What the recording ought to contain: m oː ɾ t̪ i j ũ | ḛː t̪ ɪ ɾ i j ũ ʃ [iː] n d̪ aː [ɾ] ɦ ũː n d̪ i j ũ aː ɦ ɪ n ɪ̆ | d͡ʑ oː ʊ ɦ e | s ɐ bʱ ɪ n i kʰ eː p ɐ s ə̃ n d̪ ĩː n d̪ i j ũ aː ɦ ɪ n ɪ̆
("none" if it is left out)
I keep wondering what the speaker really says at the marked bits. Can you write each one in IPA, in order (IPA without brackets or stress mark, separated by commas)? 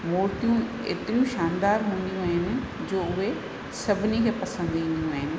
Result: aː, ɾ